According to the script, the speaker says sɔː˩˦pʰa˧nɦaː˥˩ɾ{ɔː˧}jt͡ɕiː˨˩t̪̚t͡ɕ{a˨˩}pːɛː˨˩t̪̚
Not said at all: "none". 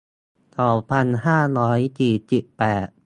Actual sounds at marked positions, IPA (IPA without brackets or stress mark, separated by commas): ɔː˦˥, i˨˩